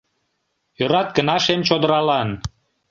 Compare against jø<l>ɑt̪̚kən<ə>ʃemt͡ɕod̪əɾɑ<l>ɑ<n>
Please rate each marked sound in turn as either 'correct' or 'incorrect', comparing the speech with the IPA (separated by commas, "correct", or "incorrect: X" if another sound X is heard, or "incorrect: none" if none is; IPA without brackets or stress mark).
incorrect: ɾ, incorrect: ɑ, correct, correct